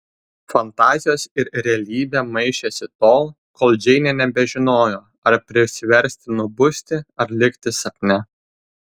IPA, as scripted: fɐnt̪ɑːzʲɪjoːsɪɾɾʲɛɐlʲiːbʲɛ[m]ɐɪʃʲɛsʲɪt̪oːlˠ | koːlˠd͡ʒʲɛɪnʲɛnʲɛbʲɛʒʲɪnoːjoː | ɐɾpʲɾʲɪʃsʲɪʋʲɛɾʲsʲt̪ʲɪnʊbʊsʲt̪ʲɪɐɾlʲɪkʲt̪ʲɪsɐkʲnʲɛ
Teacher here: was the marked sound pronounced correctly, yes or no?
yes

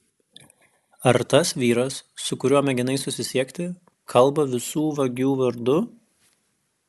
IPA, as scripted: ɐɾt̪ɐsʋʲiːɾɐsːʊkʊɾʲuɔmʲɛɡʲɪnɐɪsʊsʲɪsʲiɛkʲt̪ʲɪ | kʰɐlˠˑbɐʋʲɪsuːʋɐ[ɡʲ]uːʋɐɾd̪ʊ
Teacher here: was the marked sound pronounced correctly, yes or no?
yes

